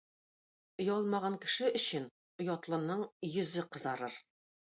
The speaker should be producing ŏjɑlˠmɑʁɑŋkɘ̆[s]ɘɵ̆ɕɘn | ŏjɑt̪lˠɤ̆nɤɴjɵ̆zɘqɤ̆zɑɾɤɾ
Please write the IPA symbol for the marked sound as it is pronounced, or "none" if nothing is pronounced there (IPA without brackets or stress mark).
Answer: ʃ